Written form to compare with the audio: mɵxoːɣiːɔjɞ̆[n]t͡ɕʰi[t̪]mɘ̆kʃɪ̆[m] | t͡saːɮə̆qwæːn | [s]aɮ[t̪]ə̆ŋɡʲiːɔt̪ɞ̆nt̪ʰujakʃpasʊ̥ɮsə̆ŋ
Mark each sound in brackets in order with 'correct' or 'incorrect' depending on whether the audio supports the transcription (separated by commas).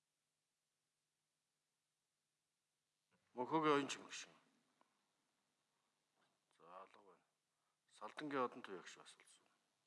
correct, incorrect, incorrect, correct, correct